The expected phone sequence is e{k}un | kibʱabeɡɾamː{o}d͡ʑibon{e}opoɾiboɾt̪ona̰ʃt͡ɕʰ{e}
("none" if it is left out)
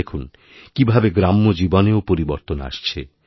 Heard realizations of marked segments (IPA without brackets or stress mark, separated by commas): kʰ, o, e, e